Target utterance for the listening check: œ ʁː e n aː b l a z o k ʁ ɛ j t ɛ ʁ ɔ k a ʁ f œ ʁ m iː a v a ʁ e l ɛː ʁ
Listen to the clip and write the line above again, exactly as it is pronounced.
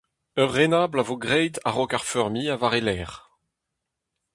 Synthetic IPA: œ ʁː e n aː b l a v o ɡ ʁ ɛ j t a ʁ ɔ k a ʁ f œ ʁ m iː a v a ʁ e l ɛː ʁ